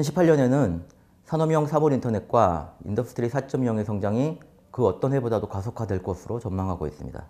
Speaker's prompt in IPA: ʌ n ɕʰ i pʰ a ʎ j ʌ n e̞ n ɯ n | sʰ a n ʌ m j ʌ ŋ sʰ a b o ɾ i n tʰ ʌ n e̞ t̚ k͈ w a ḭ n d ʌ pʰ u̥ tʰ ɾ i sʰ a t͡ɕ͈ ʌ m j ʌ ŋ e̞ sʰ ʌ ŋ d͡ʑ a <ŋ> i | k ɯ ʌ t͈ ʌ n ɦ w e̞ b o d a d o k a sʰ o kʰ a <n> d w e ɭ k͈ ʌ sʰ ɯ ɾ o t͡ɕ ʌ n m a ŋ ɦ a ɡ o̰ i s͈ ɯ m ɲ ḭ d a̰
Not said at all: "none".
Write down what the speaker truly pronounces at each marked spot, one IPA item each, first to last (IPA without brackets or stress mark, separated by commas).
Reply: ŋ, none